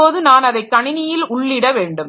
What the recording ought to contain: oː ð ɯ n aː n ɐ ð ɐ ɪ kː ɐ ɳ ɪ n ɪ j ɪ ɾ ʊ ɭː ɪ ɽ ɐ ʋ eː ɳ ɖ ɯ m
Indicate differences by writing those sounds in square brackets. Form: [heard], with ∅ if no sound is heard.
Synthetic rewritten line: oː ð ɯ n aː n ɐ ð ɐ ɪ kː ɐ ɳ ɪ n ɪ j ɪ [l] ʊ ɭː ɪ ɽ ɐ ʋ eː ɳ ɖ ɯ m